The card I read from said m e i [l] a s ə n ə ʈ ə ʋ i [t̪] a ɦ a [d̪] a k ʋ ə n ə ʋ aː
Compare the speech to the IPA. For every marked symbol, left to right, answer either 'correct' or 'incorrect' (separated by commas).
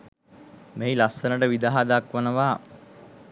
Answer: correct, incorrect, correct